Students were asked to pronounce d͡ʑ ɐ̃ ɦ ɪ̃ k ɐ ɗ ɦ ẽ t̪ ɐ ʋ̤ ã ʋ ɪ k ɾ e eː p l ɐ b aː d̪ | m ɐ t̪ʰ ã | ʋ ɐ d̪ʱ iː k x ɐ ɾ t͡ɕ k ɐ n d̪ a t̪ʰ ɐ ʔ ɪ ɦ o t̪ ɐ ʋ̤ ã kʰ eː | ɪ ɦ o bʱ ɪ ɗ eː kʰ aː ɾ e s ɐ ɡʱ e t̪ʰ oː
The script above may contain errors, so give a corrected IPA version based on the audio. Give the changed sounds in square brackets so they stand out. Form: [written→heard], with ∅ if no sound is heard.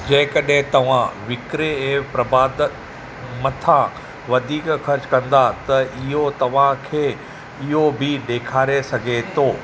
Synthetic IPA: d͡ʑ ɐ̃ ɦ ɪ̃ k ɐ ɗ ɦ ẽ t̪ ɐ ʋ̤ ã ʋ ɪ k ɾ e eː p [l→ɾ] ɐ b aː d̪ | m ɐ t̪ʰ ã | ʋ ɐ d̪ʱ iː k x ɐ ɾ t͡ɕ k [ɐ→ɐ̃] n d̪ a [t̪ʰ→t̪] ɐ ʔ ɪ ɦ o t̪ ɐ ʋ̤ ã kʰ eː | ɪ ɦ o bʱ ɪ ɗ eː kʰ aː ɾ e s ɐ ɡʱ e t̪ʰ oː